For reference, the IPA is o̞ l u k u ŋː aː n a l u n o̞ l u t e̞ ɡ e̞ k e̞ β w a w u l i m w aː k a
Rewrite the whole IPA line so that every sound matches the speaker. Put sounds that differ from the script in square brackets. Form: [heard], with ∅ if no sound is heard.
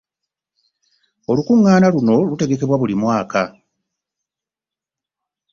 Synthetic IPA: o̞ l u k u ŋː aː n a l u n o̞ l u t e̞ ɡ e̞ k e̞ β w a [β] u l i m w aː k a